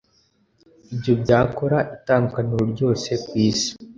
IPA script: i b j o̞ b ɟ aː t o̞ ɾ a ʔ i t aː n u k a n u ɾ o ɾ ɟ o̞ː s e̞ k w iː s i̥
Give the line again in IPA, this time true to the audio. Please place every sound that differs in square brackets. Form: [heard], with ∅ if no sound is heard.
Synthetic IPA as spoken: i b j o̞ b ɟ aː [k] o̞ ɾ a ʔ i t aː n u k a n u ɾ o ɾ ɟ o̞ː s e̞ k w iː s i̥